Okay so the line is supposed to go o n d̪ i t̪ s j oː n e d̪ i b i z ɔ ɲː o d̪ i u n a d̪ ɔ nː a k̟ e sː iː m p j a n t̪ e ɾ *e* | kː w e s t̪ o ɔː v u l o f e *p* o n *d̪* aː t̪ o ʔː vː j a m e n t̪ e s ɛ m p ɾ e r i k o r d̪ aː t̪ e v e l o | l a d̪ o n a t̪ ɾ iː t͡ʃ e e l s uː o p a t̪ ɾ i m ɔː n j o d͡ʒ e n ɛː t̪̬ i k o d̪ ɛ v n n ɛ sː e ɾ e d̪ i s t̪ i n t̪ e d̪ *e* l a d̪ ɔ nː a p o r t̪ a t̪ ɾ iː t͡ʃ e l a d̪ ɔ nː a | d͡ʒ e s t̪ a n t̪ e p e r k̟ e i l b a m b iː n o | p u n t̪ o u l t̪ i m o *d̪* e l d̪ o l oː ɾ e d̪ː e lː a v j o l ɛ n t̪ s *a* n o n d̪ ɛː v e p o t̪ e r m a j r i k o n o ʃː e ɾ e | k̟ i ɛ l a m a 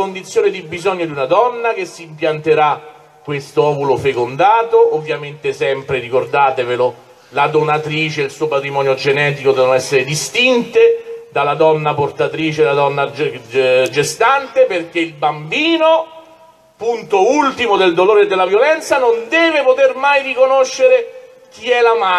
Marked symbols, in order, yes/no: no, no, yes, no, yes, yes

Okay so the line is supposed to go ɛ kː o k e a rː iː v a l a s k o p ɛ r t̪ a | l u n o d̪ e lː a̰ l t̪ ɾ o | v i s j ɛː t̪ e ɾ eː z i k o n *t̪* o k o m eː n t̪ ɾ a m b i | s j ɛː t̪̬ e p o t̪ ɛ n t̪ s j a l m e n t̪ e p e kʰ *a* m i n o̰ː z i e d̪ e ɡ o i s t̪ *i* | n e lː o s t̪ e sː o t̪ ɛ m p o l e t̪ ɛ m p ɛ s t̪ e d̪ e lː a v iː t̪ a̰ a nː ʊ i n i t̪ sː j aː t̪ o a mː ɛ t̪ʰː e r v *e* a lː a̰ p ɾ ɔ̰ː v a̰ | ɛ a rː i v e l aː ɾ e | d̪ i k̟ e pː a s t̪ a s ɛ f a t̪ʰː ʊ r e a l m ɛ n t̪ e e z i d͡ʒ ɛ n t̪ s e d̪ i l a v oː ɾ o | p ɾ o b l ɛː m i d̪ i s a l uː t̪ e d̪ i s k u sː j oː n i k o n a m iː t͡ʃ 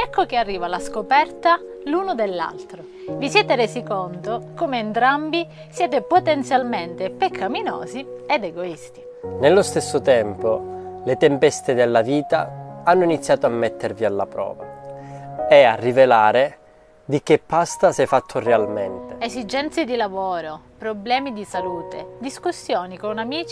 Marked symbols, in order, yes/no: yes, yes, yes, no

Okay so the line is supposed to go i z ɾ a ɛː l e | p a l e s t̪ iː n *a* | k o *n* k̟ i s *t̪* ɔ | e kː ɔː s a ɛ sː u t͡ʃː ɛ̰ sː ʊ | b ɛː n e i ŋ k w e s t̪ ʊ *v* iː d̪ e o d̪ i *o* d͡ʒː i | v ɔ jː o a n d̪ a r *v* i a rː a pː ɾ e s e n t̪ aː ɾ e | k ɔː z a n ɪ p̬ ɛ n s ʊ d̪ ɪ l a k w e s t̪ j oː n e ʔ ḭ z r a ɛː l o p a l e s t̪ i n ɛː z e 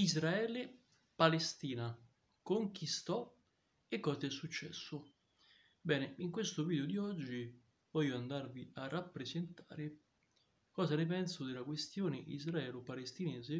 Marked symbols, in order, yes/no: yes, no, yes, yes, no, yes

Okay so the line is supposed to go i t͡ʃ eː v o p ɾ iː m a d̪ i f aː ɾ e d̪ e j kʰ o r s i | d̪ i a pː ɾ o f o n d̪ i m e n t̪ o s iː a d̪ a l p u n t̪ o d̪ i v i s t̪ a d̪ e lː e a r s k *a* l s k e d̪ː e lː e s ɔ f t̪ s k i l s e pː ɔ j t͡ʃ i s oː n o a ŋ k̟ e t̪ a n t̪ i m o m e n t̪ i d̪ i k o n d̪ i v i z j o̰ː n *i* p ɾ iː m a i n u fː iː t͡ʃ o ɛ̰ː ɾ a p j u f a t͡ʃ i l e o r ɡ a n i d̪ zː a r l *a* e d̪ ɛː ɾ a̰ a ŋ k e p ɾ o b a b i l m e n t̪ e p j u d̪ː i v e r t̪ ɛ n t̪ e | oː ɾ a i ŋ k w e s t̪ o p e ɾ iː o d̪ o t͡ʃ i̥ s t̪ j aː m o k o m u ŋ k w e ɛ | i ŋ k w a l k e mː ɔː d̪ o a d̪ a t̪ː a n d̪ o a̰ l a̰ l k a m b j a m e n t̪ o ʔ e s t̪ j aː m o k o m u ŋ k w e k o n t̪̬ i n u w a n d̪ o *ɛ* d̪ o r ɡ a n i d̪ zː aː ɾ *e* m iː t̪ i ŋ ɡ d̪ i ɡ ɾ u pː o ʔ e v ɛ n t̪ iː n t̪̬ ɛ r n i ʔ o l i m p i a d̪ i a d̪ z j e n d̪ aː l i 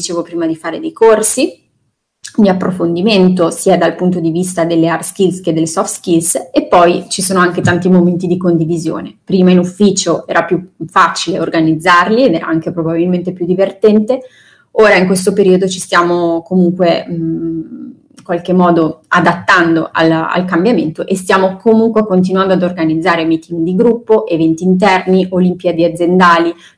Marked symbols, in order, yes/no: no, no, no, no, yes

